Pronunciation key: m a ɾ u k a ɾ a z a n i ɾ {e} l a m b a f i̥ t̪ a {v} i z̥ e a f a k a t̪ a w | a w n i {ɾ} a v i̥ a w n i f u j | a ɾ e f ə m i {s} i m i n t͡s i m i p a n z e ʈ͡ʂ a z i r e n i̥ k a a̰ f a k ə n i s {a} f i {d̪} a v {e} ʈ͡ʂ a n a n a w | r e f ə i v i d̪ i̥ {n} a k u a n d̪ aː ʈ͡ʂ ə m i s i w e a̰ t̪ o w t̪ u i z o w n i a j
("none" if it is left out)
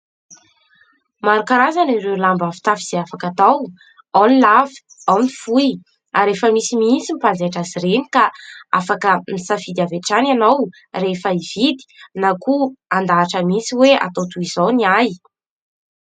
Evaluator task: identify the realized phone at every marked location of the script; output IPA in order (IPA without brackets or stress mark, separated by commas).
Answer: e, f, l, s, a, d̪, e, n